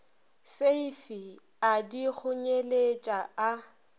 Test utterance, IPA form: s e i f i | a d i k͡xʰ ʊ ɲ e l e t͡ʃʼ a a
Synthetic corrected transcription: s e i f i | a d i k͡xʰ ʊ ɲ e l e t͡ʃʼ a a